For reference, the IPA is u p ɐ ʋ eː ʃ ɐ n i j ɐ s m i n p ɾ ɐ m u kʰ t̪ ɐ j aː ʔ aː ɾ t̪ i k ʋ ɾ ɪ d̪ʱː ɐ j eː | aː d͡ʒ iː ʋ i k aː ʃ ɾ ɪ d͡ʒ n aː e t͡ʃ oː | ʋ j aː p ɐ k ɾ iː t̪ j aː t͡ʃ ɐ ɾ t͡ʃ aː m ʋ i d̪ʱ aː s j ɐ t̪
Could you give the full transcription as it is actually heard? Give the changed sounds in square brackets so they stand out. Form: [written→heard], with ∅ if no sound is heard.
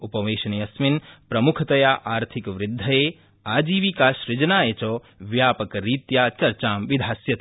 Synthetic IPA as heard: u p ɐ ʋ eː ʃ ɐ n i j ɐ s m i n p ɾ ɐ m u kʰ t̪ ɐ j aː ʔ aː ɾ [t̪→t̪ʰ] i k ʋ ɾ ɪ d̪ʱː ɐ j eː | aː d͡ʒ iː ʋ i k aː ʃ ɾ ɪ d͡ʒ n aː e t͡ʃ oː | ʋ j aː p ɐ k ɾ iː t̪ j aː t͡ʃ ɐ ɾ t͡ʃ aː m ʋ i d̪ʱ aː s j ɐ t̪